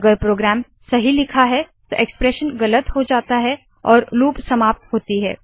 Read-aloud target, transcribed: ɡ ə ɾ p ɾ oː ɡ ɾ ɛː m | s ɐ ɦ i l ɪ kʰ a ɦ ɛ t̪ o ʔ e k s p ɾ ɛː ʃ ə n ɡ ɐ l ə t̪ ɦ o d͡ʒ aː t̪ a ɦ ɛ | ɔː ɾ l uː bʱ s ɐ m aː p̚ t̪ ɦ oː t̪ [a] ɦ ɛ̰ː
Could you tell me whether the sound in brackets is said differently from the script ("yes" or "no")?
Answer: yes